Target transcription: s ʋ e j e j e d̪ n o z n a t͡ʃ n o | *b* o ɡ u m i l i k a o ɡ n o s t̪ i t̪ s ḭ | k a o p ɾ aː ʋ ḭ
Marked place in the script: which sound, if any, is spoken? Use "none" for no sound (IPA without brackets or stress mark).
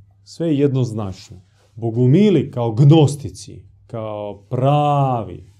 b